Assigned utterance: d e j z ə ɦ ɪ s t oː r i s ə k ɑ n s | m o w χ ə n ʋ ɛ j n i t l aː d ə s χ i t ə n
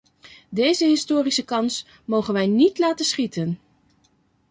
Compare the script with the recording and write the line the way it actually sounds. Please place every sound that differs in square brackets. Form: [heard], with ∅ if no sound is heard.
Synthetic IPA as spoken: d e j z ə ɦ ɪ s t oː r i s ə k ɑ n s | m o w χ ə n ʋ ɛ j n i t l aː [t] ə s χ i t ə n